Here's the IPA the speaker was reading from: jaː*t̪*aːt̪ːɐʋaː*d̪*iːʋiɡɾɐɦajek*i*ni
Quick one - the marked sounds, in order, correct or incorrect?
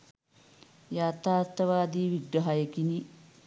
correct, correct, correct

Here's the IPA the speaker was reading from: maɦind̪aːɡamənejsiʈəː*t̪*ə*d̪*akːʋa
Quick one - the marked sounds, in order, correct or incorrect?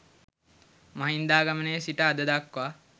incorrect: d̪, correct

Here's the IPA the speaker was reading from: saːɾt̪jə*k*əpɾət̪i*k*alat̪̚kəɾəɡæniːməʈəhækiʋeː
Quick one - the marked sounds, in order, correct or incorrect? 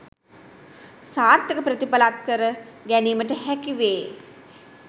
correct, incorrect: p

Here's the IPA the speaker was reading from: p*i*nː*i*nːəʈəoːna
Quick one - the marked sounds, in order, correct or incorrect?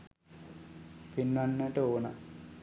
correct, incorrect: a

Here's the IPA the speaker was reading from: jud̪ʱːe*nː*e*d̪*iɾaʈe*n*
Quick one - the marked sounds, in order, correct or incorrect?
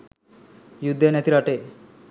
incorrect: n, incorrect: t̪, incorrect: none

